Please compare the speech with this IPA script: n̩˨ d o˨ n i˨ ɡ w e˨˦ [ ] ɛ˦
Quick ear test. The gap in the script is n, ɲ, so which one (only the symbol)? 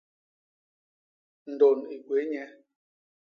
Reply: ɲ